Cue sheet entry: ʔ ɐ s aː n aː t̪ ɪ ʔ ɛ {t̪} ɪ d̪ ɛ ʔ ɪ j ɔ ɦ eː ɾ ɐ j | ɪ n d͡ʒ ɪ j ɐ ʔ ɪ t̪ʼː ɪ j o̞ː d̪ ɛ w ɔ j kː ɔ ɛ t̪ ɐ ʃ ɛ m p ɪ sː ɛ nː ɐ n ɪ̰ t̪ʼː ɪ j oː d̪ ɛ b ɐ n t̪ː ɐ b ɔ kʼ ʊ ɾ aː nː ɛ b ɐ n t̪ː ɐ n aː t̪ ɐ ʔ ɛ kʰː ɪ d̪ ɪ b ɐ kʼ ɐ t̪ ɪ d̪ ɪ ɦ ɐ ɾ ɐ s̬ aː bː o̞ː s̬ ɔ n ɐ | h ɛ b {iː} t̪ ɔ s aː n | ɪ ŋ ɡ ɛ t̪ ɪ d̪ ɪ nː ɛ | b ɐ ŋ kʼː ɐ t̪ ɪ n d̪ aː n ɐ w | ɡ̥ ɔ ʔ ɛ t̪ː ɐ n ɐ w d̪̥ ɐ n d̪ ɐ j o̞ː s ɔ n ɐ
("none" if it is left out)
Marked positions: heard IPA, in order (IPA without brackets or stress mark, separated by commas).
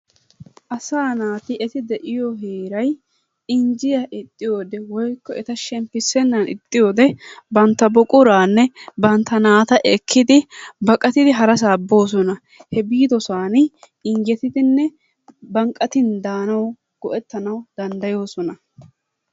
t̪, iː